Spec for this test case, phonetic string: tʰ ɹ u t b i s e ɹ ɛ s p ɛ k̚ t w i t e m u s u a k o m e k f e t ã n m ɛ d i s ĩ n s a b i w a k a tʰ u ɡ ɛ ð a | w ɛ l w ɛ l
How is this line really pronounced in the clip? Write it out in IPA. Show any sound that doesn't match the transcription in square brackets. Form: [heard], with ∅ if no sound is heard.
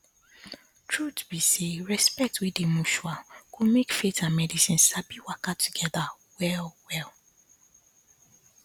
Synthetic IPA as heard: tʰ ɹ u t b i s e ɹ ɛ s p ɛ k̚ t w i [d] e m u [ʃ] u a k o m e k f e t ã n m ɛ d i s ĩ n s a b i w a k a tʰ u ɡ ɛ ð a | w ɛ l w ɛ l